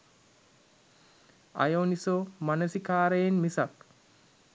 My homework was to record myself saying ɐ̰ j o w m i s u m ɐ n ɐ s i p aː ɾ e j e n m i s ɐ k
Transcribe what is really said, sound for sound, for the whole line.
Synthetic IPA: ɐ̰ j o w n i s o m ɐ n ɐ s i k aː ɾ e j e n m i s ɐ k